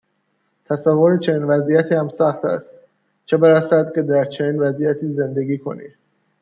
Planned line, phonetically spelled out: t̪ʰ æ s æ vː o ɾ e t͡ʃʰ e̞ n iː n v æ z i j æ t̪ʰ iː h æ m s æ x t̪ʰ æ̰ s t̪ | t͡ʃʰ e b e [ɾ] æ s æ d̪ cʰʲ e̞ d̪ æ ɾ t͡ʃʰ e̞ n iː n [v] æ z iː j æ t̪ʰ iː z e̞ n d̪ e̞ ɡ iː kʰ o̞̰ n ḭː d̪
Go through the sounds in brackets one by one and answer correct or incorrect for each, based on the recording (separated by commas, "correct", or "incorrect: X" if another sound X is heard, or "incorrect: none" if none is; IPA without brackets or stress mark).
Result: correct, correct